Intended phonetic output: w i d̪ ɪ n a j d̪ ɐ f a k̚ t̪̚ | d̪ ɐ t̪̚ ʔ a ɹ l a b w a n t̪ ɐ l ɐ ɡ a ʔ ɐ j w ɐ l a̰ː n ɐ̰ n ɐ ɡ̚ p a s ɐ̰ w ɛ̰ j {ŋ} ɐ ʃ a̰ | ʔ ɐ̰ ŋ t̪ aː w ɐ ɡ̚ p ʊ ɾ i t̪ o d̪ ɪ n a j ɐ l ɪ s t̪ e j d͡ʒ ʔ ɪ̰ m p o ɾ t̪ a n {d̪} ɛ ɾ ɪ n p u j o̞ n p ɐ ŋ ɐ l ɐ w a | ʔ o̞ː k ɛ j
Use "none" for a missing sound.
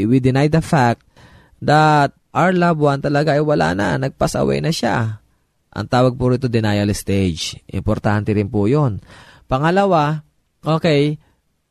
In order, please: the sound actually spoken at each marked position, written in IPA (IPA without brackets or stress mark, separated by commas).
n, t̪